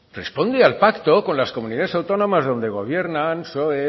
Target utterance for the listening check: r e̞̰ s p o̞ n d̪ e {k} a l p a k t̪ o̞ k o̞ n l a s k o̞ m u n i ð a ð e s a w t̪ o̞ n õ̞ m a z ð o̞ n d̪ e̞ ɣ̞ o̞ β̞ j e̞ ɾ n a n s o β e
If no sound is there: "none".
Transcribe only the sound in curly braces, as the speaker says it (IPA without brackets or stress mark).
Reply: none